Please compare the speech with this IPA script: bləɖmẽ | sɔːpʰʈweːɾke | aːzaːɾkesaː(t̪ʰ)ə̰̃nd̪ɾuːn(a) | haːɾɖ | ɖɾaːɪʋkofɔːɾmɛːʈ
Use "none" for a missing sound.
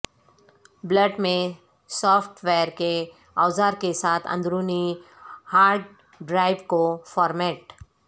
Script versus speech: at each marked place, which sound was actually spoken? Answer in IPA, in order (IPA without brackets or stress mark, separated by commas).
t̪ʰ, i